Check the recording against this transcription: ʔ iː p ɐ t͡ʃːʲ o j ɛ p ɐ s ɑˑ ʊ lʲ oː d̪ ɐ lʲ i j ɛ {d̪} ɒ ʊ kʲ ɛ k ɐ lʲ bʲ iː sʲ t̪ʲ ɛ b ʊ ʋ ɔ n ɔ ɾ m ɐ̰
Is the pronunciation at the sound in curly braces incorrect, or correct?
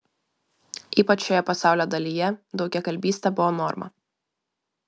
correct